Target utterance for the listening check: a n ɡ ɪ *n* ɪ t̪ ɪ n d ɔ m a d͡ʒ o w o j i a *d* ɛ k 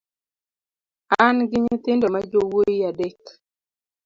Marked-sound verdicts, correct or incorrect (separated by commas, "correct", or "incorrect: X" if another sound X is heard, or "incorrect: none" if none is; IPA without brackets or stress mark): incorrect: ɲ, correct